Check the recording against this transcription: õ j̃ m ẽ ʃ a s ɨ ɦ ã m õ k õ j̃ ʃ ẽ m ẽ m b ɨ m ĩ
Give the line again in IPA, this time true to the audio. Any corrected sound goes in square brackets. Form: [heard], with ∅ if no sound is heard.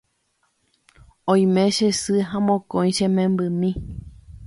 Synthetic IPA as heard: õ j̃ m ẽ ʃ [e] s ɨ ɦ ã m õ k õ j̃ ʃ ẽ m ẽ m b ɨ m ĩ